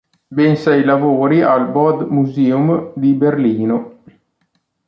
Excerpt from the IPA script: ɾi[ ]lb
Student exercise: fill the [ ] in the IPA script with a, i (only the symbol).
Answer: a